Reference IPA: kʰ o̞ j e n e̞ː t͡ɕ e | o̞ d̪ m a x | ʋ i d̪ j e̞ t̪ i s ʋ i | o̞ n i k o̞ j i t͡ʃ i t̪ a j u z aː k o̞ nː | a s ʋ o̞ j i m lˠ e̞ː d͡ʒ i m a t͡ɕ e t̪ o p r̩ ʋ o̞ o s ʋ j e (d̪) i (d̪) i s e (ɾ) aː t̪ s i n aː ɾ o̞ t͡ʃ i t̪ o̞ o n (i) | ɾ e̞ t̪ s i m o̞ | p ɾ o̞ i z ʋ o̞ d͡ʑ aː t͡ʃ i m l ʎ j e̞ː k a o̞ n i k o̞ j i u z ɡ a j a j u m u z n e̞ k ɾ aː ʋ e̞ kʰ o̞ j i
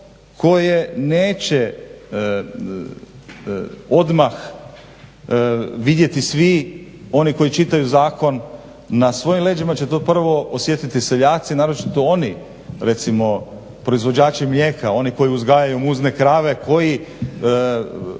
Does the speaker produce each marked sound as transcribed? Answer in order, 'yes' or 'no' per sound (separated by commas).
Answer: no, no, no, yes